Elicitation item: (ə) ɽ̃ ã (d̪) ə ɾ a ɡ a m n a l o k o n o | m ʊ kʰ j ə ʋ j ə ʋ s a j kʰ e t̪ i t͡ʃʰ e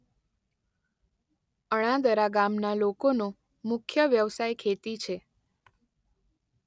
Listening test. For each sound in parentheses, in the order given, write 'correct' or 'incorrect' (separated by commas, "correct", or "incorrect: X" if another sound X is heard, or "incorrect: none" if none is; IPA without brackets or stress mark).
correct, correct